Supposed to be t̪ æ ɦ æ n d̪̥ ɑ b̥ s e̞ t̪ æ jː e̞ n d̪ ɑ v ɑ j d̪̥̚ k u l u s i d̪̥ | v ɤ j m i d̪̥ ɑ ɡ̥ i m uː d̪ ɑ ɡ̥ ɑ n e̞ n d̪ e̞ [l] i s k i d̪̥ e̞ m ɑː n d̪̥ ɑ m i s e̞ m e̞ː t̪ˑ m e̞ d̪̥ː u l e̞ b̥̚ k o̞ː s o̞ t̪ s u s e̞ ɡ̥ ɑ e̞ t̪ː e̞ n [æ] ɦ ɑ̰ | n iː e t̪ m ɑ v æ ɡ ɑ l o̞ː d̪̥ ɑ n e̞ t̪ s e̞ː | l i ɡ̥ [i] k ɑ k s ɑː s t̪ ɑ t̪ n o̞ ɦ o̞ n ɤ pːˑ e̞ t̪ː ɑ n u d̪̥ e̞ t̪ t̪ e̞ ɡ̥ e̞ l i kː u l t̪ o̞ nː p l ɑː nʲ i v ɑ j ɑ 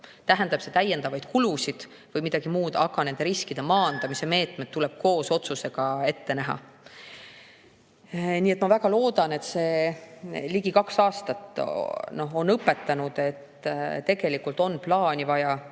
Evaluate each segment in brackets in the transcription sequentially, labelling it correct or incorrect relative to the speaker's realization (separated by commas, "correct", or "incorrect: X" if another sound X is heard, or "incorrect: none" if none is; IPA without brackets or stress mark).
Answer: incorrect: ɾ, correct, correct